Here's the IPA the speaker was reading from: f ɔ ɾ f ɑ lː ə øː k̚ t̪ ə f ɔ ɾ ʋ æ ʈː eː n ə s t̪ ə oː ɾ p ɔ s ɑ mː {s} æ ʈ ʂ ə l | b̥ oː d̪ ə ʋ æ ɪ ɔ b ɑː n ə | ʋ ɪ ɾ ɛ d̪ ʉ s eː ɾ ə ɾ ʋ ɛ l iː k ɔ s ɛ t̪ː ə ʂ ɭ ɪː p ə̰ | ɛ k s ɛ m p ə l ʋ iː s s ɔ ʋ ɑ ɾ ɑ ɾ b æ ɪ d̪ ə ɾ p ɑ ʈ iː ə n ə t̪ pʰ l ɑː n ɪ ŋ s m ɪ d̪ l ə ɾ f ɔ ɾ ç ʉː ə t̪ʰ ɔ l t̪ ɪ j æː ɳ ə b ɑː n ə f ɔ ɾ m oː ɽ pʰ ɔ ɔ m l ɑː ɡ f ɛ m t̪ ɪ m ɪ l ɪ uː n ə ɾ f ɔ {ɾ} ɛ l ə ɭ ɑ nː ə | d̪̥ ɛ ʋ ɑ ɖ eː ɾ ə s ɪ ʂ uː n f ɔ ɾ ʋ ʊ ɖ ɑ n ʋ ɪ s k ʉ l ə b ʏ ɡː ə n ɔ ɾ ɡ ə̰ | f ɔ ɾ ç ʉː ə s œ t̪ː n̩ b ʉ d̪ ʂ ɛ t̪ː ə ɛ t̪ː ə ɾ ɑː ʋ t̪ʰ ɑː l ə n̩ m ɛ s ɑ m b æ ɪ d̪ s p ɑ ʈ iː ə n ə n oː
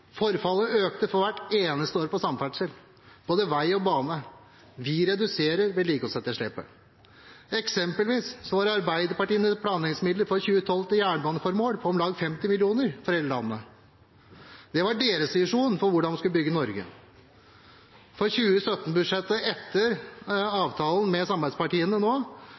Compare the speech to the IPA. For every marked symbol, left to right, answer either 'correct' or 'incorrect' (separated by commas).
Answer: incorrect, correct